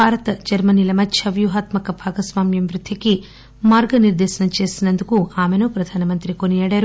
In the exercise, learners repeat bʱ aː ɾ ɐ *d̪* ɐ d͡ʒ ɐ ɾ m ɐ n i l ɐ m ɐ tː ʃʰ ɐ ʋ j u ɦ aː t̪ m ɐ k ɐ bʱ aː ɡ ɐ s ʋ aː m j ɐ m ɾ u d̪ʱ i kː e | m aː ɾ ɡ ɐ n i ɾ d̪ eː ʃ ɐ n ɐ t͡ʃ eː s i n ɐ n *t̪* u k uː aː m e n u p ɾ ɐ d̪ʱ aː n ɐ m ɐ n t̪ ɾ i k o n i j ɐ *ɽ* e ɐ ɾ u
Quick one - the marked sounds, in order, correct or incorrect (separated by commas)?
incorrect, incorrect, correct